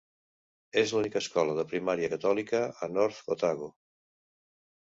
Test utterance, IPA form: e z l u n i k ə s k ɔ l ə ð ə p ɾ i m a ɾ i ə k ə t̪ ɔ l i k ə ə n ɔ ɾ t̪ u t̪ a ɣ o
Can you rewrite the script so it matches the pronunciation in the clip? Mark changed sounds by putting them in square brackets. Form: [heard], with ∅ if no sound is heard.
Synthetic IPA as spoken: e z l u n i k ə s k ɔ l ə ð ə p ɾ i m a ɾ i ə k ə t̪ ɔ l i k ə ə n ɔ ɾ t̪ [o] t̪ a ɣ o